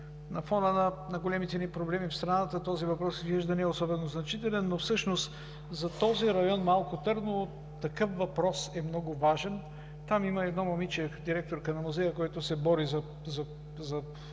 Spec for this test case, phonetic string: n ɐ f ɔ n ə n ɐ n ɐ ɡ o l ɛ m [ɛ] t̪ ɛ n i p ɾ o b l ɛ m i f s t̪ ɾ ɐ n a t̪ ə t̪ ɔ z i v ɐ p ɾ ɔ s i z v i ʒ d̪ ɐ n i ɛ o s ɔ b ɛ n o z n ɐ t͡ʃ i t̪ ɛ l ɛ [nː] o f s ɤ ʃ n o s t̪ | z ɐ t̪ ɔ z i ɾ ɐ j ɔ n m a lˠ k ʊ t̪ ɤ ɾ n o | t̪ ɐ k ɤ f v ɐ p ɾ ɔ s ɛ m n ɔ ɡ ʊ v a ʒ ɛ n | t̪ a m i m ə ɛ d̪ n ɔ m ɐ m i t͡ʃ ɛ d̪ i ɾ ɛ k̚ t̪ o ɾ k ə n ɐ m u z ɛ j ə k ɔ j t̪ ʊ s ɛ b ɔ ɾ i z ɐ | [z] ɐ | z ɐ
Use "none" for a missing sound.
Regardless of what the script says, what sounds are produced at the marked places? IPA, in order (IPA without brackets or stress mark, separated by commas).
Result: i, nː, z